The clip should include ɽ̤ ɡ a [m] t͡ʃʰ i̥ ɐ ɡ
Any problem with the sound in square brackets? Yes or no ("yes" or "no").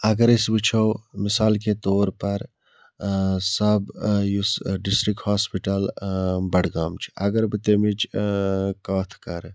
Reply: no